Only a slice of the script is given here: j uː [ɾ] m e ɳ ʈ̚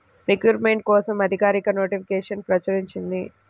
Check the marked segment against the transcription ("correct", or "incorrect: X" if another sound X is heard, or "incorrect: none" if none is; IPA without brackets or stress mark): correct